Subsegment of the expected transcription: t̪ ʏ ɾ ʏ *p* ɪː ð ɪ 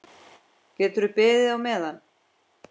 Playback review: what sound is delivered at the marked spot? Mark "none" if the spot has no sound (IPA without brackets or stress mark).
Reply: p